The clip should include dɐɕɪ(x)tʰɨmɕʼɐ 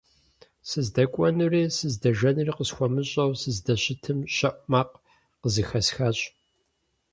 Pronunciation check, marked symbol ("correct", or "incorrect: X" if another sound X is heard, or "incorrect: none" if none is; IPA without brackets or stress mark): incorrect: none